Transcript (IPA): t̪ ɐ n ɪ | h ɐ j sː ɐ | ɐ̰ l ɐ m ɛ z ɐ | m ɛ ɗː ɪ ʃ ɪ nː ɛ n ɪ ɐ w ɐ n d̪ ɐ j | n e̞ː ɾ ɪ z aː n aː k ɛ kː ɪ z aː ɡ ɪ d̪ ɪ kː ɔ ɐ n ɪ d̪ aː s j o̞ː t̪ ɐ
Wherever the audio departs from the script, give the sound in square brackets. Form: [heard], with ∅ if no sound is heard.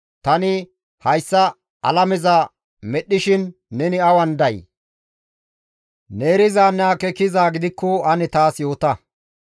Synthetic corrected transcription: t̪ ɐ n ɪ | h ɐ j sː ɐ | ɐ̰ l ɐ m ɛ z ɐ | m ɛ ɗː ɪ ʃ ɪ nː ɛ n ɪ ɐ w ɐ n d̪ ɐ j | n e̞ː ɾ ɪ z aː n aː k ɛ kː ɪ z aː ɡ ɪ d̪ ɪ kː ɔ ɐ n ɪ [t̪] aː s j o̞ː t̪ ɐ